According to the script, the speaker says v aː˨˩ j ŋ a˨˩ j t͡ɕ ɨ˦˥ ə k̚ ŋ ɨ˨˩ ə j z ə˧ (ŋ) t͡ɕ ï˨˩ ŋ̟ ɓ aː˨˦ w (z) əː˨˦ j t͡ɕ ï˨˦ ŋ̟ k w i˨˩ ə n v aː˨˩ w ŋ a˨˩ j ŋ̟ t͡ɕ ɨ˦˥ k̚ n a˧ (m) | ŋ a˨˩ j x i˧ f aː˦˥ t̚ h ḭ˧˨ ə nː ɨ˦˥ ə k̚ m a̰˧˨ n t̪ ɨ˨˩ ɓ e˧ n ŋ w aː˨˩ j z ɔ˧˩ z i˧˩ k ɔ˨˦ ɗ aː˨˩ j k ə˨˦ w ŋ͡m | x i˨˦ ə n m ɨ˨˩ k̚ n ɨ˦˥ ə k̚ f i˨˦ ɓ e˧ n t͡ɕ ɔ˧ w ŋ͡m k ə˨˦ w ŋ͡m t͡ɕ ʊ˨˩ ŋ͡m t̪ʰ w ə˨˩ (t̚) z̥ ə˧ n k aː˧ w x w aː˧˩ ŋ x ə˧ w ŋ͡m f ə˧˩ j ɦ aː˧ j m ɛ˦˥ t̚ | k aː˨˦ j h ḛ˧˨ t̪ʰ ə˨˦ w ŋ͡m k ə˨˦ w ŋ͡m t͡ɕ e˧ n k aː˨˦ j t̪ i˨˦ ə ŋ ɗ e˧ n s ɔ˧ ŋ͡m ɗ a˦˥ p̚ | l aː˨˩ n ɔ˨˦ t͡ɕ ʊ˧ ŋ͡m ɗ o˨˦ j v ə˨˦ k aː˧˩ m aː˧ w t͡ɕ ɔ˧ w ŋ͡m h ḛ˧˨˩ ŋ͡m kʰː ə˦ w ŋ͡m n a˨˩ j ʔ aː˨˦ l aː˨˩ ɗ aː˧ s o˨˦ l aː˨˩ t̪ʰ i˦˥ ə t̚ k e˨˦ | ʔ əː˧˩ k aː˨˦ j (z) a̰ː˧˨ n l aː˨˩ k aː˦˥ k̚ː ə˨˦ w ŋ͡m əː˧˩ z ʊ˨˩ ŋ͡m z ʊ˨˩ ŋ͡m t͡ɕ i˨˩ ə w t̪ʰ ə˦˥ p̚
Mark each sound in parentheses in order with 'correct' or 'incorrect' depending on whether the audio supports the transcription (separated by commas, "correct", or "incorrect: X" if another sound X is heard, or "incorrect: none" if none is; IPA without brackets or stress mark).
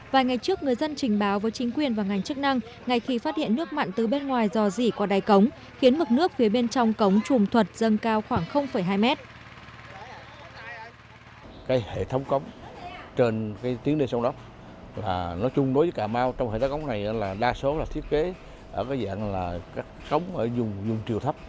incorrect: n, incorrect: v, incorrect: ŋ, correct, correct